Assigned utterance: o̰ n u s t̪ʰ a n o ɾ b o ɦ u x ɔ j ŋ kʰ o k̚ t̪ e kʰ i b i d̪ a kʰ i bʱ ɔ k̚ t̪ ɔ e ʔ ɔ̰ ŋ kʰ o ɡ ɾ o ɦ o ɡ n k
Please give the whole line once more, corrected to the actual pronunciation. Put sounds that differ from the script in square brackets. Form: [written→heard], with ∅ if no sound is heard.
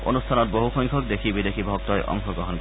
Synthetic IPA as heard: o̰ n u s t̪ʰ a n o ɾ b o ɦ u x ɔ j ŋ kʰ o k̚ [t̪→d̪] e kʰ i b i d̪ [a→e] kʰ i bʱ ɔ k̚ t̪ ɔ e ʔ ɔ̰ ŋ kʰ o ɡ ɾ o ɦ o [ɡ→∅] n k